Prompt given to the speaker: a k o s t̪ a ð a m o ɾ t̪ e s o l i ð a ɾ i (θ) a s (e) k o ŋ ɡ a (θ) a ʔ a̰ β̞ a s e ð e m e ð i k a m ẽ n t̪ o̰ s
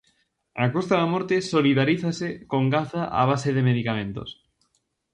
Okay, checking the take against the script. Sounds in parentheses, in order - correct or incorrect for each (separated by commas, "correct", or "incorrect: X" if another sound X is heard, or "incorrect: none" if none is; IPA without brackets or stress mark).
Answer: correct, correct, correct